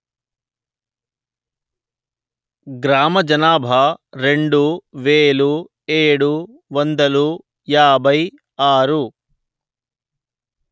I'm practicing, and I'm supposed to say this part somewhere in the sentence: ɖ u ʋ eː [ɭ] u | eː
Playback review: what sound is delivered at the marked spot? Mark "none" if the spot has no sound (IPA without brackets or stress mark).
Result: ɭ